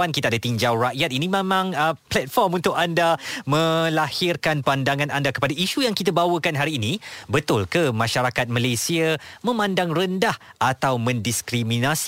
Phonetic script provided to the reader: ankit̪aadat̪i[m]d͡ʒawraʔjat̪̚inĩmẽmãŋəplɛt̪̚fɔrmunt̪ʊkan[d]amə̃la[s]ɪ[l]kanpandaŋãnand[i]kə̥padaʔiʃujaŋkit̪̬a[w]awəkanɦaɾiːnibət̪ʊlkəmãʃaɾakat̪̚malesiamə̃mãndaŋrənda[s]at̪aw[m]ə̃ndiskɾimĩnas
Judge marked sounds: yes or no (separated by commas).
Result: no, yes, no, no, no, no, no, yes